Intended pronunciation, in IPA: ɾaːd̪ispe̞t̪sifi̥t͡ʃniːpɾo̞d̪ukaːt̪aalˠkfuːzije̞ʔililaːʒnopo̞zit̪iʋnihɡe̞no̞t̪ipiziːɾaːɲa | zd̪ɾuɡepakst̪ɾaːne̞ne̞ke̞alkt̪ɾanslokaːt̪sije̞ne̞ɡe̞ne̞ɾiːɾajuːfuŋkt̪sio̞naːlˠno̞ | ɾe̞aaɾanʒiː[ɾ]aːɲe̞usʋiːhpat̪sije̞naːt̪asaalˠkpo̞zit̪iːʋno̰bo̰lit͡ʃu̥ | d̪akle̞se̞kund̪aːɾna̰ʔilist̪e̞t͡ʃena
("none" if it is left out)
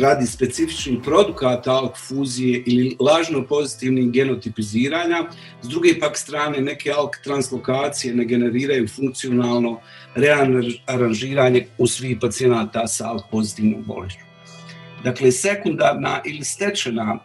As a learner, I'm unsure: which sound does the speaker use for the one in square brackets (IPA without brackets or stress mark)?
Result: ɾ